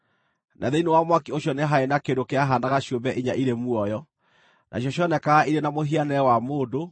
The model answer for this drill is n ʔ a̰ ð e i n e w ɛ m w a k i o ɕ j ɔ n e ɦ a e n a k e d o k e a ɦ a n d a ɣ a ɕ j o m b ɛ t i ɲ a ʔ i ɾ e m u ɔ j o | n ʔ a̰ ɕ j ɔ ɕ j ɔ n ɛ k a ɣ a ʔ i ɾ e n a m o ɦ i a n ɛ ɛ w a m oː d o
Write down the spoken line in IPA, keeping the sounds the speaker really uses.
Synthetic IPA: n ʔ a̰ ð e i n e w a m w a k i o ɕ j ɔ n e ɦ a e n a k e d o k e a ɦ a n d a ɣ a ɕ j o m b ɛ ʔ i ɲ a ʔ i ɾ e m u ɔ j ɔ | n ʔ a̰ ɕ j ɔ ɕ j ɔ n ɛ k a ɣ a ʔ i ɾ e n a m o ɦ i a n ɛ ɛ w a m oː d o